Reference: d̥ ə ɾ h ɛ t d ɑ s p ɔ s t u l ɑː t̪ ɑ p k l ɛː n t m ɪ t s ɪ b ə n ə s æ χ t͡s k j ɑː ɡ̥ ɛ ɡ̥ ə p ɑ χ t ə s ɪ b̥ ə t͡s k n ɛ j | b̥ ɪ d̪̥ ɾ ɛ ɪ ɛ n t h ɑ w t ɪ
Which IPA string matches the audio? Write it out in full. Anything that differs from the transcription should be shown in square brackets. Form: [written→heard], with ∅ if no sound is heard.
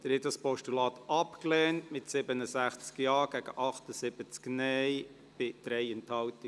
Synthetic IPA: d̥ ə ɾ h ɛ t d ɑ s p ɔ [s→ʃ] t u l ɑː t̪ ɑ p k l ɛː n t m ɪ t s ɪ b ə n ə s æ χ t͡s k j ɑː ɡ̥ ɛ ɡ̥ ə [p→ʔ] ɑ χ t ə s ɪ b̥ ə t͡s k n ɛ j | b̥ ɪ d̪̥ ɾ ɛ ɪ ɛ n t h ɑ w t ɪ